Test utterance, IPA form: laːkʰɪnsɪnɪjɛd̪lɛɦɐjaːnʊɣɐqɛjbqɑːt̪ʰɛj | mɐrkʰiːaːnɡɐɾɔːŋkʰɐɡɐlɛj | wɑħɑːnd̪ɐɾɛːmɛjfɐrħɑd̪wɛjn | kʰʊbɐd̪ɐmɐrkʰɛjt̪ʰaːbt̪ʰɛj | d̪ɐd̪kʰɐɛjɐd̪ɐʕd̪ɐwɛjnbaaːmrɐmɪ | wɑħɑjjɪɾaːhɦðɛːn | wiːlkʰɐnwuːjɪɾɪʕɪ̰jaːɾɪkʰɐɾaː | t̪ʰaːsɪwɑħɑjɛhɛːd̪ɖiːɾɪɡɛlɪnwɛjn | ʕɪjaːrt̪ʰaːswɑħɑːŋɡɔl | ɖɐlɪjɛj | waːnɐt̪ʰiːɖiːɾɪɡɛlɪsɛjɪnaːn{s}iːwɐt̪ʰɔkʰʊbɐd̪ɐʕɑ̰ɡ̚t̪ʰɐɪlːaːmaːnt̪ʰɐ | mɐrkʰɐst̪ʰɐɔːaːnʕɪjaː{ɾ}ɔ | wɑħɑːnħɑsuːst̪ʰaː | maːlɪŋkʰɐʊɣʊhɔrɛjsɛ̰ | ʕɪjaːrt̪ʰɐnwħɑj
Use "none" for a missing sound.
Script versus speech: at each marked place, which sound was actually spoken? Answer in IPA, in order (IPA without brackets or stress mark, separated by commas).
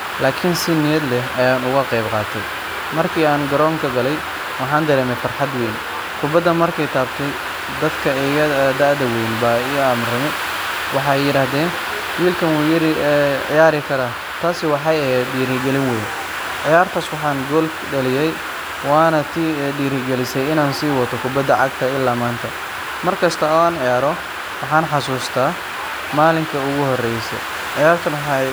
s, ɾ